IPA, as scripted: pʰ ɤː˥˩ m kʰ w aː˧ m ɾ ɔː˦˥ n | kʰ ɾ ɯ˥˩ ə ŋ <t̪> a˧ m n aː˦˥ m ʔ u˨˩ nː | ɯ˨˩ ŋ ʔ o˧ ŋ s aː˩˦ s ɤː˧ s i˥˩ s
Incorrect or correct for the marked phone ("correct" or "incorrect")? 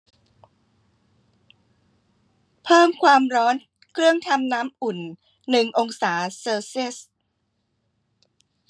incorrect